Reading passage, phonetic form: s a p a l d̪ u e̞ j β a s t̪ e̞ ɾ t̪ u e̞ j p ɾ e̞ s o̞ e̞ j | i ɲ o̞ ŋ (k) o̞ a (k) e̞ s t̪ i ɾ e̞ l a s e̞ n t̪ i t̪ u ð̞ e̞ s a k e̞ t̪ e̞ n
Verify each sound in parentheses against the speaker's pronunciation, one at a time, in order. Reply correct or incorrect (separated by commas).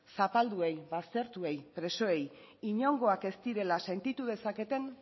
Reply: incorrect, correct